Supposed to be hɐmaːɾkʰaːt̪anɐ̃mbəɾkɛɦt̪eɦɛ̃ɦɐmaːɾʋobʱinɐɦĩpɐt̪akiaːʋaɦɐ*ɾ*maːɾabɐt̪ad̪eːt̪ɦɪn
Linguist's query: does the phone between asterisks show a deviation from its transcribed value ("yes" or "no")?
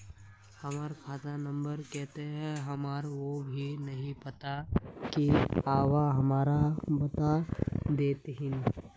yes